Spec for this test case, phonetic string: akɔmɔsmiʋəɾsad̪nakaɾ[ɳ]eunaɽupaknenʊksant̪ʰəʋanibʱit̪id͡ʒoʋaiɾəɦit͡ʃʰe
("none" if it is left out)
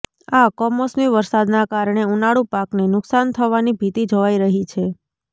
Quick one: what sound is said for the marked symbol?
ɳ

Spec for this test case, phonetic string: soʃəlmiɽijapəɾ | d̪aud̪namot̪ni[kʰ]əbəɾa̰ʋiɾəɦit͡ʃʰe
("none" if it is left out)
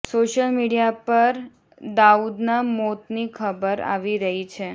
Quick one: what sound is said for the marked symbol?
kʰ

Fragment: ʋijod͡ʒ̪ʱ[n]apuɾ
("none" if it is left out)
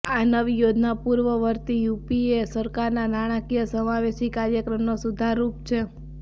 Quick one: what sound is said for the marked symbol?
n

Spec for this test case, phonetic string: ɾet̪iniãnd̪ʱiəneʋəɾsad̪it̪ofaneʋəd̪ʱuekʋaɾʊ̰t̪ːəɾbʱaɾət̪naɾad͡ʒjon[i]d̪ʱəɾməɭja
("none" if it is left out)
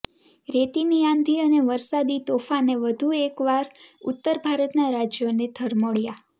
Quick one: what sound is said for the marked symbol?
e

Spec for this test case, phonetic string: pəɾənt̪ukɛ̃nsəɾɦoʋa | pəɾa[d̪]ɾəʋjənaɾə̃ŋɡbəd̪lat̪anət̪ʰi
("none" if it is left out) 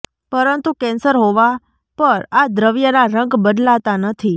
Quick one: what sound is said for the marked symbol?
d̪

